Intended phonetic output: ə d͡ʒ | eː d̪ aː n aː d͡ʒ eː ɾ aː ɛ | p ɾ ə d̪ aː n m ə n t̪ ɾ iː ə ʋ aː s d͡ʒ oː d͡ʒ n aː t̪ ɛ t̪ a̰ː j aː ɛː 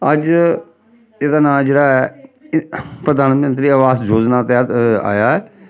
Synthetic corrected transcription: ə d͡ʒ | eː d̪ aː n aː d͡ʒ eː ɽ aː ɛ | p ɾ ə d̪ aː n m ə n t̪ ɾ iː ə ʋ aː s d͡ʒ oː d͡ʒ n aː t̪ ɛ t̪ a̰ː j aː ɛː